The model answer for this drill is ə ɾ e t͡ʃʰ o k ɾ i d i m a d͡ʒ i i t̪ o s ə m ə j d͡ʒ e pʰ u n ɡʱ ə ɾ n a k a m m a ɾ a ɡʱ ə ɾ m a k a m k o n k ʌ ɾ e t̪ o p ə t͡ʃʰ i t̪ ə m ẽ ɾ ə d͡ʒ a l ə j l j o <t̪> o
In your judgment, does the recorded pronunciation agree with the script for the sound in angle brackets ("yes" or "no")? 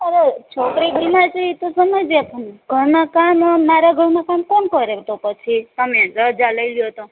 yes